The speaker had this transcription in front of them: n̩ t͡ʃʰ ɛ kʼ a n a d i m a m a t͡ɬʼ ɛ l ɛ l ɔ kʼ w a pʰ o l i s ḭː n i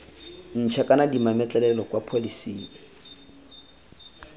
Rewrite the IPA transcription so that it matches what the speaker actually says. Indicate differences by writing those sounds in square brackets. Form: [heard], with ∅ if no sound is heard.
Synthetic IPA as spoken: n̩ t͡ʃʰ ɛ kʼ a n a d i m a m [ɛ] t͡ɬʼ ɛ l ɛ l ɔ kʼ w a pʰ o l i s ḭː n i